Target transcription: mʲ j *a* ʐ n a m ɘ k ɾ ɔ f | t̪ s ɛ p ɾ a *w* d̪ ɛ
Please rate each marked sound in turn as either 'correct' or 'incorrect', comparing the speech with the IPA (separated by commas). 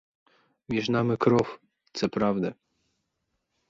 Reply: incorrect, incorrect